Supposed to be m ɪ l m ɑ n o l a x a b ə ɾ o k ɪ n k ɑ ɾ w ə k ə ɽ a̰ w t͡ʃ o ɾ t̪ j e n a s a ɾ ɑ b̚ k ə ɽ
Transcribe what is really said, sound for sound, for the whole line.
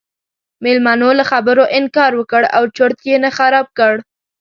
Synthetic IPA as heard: m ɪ l m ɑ n o l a x a b ə ɾ o ʔ ɪ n k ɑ ɾ w ə k ə ɽ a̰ w t͡ʃ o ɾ t̪ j e n a x a ɾ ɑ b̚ k ə ɽ